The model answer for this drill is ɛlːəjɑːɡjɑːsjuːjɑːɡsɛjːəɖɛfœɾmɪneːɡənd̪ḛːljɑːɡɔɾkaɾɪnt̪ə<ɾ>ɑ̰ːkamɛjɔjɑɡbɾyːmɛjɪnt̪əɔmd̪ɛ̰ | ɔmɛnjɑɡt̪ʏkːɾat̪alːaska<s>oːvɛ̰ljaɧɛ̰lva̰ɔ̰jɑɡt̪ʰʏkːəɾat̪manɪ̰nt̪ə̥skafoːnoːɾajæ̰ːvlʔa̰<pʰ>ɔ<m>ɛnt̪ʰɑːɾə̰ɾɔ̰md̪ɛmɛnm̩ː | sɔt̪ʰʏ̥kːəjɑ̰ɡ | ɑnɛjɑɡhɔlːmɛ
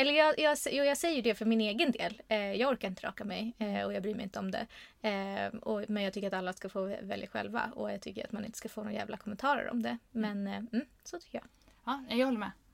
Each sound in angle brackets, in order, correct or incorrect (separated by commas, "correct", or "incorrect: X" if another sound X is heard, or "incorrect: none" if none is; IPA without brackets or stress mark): correct, incorrect: f, incorrect: kʰ, correct